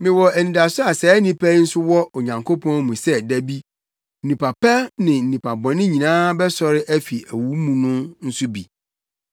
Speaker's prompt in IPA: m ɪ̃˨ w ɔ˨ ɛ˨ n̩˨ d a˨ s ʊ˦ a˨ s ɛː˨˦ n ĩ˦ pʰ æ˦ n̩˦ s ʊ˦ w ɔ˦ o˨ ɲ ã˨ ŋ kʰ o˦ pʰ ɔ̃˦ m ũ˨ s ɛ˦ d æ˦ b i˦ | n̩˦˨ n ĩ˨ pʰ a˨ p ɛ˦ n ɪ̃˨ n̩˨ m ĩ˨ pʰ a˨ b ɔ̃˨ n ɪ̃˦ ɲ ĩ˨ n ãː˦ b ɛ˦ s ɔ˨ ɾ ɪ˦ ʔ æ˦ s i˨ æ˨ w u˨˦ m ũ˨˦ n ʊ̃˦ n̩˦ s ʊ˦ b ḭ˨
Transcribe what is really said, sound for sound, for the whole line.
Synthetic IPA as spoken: m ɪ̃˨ w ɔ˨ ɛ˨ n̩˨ d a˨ s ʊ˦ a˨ s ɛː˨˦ n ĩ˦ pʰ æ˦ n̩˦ s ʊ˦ w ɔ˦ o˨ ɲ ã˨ ŋ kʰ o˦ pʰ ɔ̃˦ m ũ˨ s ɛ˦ d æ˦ b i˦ | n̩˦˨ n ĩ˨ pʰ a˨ p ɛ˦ n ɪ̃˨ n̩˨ n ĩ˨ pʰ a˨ b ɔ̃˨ n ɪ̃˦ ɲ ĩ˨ n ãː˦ b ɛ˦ s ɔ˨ ɾ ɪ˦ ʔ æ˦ f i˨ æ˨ w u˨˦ m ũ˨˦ n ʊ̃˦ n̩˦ s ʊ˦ b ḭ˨